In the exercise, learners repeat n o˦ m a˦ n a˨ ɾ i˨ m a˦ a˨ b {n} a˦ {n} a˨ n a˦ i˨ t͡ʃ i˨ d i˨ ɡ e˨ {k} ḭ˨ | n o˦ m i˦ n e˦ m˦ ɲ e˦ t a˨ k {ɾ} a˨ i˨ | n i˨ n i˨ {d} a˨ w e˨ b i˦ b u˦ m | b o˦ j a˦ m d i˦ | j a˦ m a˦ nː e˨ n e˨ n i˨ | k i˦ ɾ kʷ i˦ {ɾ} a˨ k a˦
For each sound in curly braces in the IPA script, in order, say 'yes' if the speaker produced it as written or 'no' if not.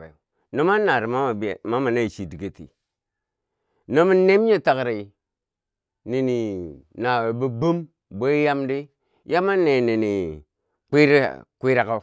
no, no, no, yes, no, yes

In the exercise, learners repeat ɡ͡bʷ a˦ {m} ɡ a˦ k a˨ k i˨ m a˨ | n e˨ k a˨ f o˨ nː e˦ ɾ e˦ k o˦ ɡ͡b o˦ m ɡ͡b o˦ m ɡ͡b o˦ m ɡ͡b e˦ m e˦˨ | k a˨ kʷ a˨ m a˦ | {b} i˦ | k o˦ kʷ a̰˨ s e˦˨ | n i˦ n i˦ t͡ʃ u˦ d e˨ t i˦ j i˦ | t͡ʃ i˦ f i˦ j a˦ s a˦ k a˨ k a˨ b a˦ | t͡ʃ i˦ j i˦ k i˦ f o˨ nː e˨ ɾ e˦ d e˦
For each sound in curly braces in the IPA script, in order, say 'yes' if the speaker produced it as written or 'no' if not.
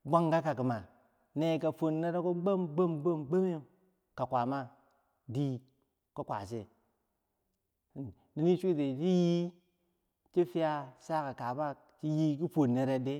no, no

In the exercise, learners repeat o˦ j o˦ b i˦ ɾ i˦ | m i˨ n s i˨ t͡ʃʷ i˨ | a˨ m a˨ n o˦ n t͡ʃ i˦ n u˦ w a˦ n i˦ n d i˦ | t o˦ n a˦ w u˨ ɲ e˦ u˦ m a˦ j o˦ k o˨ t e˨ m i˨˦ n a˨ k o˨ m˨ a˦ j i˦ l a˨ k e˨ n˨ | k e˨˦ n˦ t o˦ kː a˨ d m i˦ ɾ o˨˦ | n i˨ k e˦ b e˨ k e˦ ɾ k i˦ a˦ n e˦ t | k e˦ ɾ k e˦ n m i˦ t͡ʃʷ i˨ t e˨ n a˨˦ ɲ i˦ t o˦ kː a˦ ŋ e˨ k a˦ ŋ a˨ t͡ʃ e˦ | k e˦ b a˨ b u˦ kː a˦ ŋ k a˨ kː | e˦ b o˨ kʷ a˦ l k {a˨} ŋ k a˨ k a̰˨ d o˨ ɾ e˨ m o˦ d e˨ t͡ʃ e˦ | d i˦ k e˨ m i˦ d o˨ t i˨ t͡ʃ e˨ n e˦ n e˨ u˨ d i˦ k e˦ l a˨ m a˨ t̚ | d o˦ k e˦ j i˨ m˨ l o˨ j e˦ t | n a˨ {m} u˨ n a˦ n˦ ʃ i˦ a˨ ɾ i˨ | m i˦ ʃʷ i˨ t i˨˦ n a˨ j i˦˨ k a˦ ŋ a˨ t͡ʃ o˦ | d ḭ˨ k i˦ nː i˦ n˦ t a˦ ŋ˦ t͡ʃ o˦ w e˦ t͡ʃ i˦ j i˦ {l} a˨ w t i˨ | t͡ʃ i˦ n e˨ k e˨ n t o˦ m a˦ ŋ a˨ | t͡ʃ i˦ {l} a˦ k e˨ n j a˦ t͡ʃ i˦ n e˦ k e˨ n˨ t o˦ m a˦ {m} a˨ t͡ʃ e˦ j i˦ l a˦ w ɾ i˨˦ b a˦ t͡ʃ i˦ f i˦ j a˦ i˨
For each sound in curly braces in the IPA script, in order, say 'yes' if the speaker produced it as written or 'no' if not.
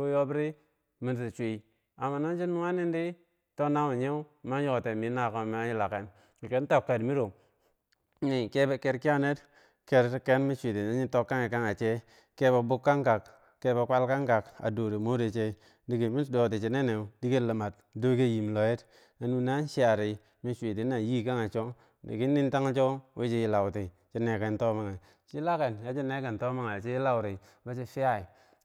no, no, yes, yes, no

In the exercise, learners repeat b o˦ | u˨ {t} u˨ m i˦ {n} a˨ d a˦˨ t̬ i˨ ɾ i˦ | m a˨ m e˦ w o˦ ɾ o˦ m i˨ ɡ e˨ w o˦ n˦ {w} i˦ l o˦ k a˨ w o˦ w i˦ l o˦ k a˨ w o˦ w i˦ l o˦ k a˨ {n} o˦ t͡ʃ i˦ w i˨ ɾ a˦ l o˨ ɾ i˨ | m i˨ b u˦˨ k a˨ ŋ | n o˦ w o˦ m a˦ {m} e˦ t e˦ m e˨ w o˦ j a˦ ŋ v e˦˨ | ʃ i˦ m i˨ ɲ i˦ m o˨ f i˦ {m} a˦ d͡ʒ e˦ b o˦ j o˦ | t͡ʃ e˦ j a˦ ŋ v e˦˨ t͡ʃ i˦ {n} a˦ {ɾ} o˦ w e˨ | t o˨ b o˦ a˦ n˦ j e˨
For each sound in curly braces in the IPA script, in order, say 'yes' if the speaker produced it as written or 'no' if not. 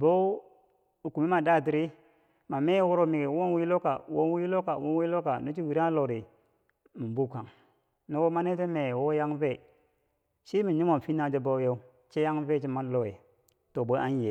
no, no, yes, yes, no, no, no, no

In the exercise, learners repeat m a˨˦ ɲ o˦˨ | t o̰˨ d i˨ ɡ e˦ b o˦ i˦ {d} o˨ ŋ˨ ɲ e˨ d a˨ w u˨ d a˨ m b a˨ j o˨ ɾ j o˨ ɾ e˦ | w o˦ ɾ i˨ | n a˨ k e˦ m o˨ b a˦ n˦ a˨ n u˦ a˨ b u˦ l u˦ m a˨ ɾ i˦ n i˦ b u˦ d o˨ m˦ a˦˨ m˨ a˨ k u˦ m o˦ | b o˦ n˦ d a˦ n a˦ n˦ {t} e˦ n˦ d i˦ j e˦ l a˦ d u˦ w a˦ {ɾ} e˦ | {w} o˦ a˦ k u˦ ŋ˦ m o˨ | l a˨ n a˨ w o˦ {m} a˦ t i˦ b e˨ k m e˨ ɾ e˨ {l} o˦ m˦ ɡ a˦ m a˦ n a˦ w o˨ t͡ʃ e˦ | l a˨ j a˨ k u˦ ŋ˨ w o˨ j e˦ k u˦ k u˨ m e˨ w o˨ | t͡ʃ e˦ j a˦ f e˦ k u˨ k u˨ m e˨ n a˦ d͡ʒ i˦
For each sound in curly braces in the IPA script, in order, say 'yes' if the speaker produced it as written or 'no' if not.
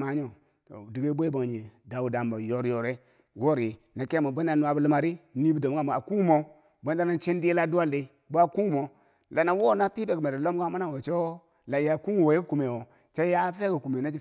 no, no, no, no, no, yes

